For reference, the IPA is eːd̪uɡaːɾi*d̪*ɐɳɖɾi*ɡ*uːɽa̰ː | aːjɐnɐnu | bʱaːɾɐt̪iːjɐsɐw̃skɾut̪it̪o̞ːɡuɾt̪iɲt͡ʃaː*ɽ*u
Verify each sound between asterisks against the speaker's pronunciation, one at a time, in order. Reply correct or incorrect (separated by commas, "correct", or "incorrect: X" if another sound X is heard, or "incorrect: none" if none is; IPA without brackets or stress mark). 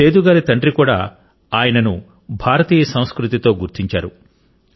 incorrect: t̪, incorrect: k, incorrect: ɾ